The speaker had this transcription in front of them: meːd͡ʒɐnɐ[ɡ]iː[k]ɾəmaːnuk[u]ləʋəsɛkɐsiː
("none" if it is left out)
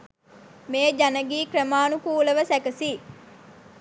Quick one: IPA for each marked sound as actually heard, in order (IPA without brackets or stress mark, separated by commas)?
ɡ, k, uː